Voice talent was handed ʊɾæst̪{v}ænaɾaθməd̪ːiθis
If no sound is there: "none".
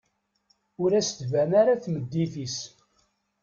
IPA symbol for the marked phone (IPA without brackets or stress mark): v